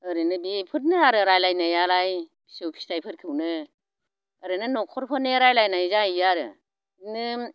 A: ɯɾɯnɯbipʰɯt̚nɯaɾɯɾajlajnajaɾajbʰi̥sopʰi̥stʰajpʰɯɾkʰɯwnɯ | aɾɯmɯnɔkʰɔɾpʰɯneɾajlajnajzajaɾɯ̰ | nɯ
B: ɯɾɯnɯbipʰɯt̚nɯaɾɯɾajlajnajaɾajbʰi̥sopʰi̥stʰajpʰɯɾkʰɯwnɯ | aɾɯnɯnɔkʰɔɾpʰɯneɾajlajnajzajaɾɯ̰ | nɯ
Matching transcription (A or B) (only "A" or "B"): B